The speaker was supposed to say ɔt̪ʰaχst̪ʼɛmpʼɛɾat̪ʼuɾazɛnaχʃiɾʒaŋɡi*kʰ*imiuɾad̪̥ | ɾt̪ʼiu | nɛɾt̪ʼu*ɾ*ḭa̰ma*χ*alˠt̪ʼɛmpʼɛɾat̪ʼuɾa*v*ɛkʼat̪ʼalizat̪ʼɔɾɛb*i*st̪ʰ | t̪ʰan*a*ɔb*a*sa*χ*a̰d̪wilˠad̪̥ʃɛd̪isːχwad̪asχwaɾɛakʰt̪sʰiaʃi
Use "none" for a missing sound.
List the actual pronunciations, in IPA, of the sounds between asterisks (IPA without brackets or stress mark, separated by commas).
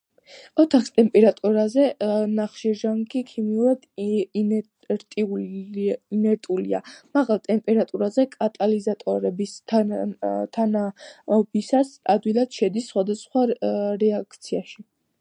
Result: kʰ, l, ʁ, z, i, a, i, s